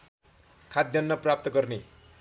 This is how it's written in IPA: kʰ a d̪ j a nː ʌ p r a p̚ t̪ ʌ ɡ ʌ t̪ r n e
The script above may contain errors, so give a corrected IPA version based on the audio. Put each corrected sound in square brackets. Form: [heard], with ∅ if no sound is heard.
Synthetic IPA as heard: kʰ a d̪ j [ʌ] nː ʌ p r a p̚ t̪ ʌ ɡ ʌ [∅] r n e